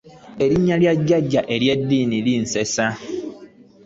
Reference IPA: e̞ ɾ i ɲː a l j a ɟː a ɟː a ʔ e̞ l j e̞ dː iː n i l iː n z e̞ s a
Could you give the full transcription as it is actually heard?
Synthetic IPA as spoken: e̞ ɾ i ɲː a l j a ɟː a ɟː a ʔ e̞ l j e̞ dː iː n i l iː n s e̞ s a

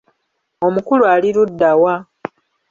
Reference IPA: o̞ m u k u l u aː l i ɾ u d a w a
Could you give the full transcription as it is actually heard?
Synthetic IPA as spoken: o̞ m u k u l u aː l i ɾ u dː a w a

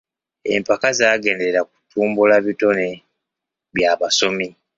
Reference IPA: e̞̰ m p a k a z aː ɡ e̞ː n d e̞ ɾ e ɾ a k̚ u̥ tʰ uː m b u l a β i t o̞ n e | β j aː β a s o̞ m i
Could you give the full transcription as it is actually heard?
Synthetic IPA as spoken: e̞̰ m p a k a z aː ɡ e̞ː n d e̞ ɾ e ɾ a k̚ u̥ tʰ uː m b u l a β i t o̞ n e | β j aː β a s o̞ m i

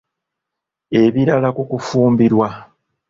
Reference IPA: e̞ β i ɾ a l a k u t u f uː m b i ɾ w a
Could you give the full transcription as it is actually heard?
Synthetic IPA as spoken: e̞ β i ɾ a l a k u k u f uː m b i ɾ w a

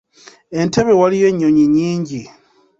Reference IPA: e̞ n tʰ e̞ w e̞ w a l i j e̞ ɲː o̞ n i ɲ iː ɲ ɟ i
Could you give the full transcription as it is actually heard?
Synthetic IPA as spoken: e̞ n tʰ e̞ β e̞ w a l i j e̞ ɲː o̞ ɲ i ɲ iː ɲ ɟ i

